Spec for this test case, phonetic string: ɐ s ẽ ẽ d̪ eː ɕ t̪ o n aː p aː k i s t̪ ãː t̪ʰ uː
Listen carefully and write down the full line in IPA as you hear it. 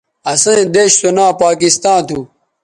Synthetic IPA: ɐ s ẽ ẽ d̪ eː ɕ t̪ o n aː p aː k i s t̪ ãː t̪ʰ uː